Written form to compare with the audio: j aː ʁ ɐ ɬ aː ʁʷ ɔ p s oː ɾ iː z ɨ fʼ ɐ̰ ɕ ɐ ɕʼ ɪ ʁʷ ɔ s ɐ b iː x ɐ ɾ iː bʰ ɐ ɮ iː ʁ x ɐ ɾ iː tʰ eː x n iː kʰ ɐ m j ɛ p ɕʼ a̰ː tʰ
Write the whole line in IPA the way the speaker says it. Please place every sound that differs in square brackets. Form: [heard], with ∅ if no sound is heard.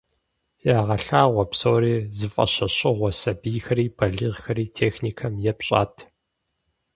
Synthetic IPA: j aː ʁ ɐ ɬ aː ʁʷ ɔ p s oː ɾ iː z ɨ fʼ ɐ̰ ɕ ɐ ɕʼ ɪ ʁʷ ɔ s ɐ b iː x ɐ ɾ iː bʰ ɐ ɮ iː ʁ x ɐ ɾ iː tʰ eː x n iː kʰ ɐ m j ɛ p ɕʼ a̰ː tʰ